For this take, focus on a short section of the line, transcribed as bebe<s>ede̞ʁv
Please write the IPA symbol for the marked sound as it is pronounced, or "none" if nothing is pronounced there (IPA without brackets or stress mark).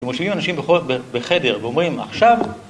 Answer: χ